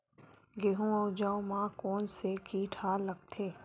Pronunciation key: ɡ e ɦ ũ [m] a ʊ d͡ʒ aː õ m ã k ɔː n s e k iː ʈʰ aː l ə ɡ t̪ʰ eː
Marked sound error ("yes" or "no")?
yes